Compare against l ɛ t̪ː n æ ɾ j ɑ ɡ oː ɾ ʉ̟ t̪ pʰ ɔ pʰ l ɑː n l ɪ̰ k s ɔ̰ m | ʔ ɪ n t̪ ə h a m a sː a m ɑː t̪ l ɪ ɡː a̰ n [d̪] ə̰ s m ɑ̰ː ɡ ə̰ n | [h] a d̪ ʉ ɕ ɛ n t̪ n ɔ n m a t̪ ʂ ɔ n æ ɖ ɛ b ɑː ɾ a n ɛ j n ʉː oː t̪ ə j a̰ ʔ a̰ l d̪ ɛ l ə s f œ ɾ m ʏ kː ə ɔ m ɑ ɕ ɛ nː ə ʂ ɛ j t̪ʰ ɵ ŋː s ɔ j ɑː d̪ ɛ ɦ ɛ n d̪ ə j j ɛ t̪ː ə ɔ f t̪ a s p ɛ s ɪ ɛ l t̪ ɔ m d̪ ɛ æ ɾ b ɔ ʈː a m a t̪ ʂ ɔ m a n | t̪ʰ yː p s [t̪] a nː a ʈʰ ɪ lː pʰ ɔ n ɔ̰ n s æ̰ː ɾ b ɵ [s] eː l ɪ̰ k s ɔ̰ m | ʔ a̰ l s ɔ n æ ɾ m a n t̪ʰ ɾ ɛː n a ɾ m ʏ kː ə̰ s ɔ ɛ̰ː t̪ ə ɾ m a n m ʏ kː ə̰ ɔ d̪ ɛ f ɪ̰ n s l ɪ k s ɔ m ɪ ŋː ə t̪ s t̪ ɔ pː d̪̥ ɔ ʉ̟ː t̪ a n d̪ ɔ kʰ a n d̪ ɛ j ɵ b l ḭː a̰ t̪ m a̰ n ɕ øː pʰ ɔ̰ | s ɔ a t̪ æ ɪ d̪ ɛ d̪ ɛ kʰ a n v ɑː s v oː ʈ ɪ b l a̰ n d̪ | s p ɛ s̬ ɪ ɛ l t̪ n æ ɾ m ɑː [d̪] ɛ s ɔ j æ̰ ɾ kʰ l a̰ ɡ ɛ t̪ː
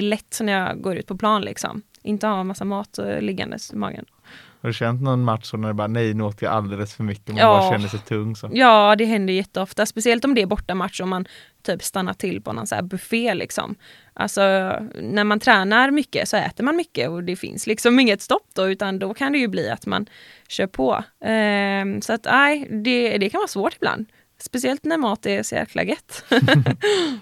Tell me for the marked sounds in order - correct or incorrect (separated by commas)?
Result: correct, correct, correct, incorrect, incorrect